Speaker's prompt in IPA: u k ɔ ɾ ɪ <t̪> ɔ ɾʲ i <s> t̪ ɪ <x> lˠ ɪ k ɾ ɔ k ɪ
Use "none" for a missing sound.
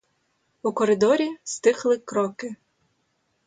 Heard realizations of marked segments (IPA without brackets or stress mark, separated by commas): d̪, s, x